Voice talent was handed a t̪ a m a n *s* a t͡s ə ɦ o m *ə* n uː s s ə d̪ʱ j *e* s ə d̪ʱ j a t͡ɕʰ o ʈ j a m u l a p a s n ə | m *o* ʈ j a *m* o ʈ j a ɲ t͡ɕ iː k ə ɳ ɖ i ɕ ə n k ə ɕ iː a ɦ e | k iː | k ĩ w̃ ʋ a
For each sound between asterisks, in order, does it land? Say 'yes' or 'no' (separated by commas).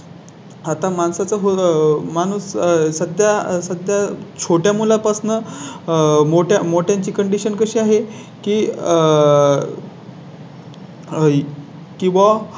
yes, no, no, yes, yes